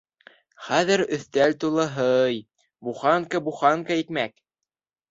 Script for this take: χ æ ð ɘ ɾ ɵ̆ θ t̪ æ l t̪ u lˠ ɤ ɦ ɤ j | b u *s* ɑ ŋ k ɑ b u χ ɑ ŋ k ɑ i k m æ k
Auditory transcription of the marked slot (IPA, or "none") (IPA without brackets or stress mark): χ